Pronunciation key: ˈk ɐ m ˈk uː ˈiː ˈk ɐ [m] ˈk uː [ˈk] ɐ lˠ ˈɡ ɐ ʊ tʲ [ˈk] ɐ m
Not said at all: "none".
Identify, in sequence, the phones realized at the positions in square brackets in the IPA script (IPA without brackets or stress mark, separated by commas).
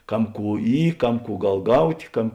m, ɡ, k